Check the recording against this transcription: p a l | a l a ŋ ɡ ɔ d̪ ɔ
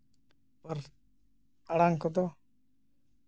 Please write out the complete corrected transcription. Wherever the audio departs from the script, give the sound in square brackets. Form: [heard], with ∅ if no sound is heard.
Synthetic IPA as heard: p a [ɾ] | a [ɽ] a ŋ [k] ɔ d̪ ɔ